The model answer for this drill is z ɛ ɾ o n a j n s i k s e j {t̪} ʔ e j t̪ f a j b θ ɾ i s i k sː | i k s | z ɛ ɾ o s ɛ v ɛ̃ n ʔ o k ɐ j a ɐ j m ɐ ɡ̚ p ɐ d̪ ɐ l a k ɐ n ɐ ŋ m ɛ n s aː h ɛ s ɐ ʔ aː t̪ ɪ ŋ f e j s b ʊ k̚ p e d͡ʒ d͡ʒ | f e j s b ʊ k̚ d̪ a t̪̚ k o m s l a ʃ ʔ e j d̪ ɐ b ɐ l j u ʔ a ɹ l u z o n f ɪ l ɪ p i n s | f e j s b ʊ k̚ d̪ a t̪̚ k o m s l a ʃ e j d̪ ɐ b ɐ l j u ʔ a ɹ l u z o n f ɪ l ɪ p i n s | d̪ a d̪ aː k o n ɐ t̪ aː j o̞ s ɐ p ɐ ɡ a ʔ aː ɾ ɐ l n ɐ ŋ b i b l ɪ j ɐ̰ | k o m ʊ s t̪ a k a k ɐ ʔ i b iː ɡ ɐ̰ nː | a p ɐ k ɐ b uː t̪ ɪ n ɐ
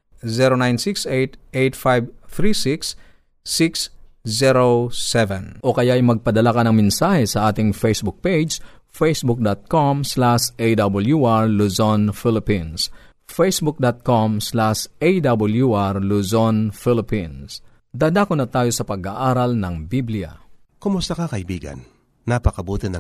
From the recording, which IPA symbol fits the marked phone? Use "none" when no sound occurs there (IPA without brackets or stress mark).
t̪